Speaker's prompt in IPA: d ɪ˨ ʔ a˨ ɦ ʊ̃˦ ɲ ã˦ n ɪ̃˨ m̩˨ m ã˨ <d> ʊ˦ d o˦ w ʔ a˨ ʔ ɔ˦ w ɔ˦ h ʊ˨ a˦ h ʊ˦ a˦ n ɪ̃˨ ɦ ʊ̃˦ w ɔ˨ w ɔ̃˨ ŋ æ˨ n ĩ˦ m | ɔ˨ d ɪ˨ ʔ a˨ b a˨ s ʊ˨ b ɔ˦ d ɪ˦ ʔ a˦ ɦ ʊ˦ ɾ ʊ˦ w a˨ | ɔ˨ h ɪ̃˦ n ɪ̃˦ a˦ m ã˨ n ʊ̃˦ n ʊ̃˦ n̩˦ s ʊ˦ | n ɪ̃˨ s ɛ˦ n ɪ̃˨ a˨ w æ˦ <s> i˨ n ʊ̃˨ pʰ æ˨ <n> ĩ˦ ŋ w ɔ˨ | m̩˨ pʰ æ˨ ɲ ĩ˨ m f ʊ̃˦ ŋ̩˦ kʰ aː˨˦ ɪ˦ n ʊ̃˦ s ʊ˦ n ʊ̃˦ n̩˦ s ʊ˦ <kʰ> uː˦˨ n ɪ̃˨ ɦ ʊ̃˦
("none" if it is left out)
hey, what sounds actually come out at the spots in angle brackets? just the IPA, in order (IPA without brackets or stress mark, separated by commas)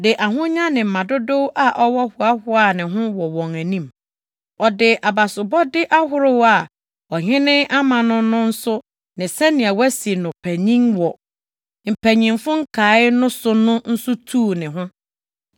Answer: d, s, ɲ, tʰ